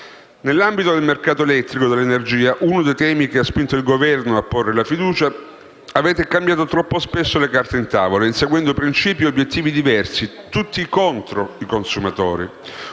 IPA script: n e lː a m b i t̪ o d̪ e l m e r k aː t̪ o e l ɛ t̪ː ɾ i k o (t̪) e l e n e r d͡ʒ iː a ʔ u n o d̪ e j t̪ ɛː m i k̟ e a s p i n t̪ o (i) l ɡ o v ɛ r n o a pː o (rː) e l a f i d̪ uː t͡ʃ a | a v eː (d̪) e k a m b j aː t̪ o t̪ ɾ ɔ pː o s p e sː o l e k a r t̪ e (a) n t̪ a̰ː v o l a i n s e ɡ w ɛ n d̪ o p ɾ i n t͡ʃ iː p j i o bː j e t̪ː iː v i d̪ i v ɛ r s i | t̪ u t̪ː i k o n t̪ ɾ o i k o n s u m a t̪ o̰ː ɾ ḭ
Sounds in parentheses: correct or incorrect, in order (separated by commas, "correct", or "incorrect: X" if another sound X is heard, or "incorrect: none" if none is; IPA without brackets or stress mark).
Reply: incorrect: d̪, correct, correct, incorrect: t̪, incorrect: i